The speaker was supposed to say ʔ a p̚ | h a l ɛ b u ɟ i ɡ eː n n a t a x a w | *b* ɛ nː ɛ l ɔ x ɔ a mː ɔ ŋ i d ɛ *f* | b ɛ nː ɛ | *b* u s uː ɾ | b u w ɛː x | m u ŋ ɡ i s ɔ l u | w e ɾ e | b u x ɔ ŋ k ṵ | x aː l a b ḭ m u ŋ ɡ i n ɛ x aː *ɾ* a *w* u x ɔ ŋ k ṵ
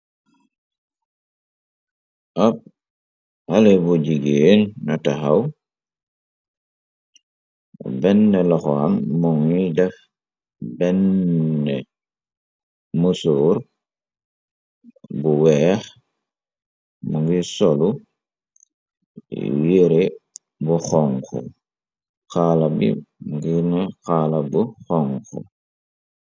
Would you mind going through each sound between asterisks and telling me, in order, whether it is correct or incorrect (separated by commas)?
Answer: correct, correct, incorrect, incorrect, incorrect